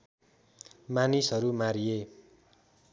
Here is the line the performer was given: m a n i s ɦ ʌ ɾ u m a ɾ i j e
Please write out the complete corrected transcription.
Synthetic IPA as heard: m a n i s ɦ ʌ ɾ u m a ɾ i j e